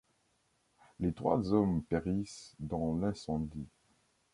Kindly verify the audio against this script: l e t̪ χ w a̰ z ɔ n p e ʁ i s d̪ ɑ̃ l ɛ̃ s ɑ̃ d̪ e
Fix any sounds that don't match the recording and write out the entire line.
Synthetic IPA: l e t̪ χ w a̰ z ɔ m p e ʁ i s d̪ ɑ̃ l ɛ̃ s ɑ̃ d̪ i